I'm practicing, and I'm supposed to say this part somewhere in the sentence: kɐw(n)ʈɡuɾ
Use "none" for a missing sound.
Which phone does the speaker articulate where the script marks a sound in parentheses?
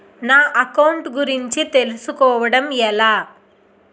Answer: ɳ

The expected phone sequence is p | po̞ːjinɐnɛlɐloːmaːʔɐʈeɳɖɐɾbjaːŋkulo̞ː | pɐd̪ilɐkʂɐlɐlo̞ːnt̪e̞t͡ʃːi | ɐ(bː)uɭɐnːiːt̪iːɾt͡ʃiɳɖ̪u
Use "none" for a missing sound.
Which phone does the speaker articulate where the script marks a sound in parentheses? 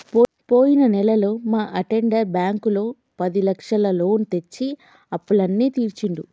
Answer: pː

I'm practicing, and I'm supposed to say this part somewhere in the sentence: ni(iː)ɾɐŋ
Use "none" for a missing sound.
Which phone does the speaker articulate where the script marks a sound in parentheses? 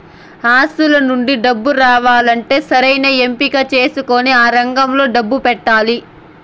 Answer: aː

